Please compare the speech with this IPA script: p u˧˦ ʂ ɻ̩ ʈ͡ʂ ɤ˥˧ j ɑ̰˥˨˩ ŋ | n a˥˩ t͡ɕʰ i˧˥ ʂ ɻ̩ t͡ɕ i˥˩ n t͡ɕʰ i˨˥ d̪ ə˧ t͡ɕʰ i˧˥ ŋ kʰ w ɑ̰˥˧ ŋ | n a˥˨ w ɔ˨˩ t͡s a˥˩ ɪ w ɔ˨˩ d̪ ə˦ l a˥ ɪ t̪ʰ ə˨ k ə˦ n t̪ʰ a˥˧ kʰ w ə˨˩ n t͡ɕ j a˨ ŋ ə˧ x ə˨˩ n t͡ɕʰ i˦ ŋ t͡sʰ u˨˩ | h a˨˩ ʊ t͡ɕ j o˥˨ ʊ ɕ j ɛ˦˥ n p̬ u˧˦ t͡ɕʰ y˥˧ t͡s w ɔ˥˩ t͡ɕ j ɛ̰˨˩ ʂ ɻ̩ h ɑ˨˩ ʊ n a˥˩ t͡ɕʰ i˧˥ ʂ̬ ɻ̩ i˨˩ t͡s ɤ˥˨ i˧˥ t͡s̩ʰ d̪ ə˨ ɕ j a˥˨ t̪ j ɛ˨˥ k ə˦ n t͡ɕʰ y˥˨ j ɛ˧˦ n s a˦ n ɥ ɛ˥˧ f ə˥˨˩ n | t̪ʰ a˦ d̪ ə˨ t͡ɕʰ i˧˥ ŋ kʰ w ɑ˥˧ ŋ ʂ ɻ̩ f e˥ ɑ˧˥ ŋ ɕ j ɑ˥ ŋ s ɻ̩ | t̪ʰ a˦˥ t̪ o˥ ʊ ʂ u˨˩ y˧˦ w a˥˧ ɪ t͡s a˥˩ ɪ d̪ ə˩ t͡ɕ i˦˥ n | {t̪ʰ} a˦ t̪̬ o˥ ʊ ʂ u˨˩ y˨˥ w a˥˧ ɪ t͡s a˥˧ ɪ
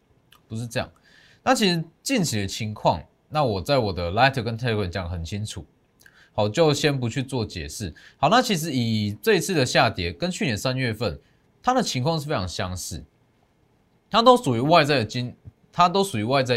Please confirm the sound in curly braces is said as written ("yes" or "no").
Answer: yes